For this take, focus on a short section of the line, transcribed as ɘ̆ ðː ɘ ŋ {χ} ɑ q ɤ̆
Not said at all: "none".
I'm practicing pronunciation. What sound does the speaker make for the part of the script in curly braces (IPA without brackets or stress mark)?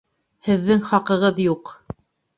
χ